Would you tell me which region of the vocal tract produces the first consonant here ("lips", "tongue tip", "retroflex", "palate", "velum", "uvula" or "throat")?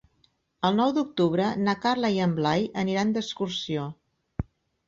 tongue tip